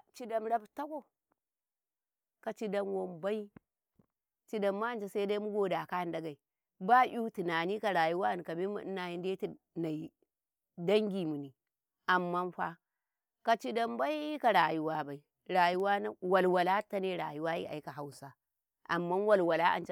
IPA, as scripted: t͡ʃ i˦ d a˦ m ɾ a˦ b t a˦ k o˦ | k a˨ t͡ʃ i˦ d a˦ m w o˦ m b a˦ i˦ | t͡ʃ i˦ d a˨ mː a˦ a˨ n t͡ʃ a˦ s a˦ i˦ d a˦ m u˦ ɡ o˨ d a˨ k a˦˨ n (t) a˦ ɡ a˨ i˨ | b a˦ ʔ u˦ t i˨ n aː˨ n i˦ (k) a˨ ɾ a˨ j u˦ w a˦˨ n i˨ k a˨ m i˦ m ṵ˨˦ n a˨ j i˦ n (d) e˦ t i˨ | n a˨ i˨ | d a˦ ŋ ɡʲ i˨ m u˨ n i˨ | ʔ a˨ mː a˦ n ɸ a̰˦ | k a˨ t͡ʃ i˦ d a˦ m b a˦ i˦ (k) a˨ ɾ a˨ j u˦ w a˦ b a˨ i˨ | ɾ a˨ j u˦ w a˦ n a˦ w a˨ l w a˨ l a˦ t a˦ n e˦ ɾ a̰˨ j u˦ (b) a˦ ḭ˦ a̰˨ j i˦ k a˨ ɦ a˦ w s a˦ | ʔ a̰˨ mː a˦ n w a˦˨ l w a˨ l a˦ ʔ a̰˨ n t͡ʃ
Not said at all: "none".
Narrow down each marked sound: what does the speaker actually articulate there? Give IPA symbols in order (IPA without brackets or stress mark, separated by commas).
d, k, d, k, w